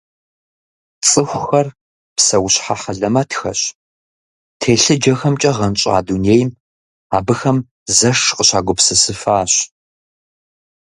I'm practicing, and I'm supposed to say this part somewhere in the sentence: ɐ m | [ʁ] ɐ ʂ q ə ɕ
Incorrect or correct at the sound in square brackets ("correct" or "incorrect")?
incorrect